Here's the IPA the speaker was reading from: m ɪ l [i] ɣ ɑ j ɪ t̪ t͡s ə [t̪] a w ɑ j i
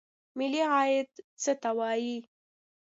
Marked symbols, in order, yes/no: yes, yes

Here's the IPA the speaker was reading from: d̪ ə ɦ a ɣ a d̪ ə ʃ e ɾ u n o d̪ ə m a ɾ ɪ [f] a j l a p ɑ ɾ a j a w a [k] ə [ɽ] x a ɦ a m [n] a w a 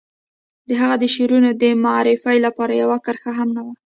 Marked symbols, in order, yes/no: yes, yes, no, yes

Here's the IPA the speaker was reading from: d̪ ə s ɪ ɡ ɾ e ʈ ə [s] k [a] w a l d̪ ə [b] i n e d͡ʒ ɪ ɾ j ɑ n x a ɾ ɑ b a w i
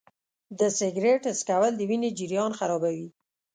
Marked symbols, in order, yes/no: yes, yes, no

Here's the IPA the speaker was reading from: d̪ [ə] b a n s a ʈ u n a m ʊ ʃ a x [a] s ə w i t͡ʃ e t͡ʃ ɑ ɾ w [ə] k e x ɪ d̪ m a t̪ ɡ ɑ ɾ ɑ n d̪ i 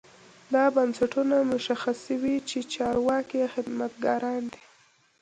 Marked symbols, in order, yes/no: no, yes, no

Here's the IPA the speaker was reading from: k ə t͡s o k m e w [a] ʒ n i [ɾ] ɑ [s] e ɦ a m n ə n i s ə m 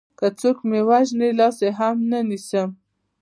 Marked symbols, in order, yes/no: yes, no, yes

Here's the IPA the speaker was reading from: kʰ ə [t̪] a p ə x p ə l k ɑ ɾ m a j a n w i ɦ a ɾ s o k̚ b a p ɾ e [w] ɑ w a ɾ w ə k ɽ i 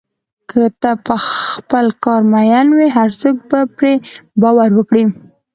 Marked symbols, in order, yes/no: yes, no

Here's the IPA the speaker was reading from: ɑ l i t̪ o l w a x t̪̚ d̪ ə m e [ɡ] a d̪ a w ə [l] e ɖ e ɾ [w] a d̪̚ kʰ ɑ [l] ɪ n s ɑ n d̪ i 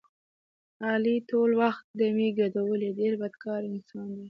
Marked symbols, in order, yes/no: yes, yes, no, no

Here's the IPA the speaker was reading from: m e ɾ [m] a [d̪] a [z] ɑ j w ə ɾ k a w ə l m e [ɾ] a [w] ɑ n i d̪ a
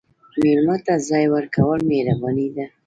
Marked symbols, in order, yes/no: yes, no, yes, yes, no

